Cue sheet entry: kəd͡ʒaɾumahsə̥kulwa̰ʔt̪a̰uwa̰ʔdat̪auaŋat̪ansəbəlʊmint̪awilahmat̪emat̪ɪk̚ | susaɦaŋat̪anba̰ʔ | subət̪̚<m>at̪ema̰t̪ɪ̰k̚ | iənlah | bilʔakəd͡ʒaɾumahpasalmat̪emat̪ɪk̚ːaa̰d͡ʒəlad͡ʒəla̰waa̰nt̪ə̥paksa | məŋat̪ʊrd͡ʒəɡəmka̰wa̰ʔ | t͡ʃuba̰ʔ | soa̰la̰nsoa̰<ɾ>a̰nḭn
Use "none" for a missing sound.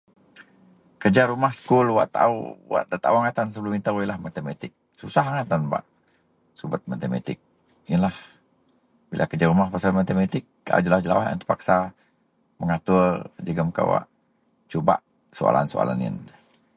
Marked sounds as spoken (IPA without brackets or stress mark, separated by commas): m, l